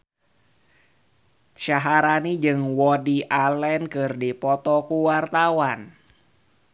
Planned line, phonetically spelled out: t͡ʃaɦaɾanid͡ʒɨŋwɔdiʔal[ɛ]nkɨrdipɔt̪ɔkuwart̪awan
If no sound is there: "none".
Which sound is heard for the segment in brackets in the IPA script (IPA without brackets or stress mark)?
ɛ